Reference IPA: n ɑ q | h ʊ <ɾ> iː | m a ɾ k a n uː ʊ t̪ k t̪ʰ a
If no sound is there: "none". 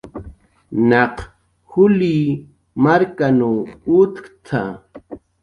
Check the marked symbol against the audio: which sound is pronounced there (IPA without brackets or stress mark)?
l